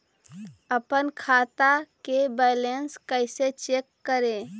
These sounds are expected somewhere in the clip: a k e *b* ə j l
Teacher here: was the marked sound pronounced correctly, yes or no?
yes